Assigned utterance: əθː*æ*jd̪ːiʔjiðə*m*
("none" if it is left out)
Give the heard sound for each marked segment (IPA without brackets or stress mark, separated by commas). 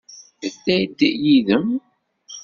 æ, m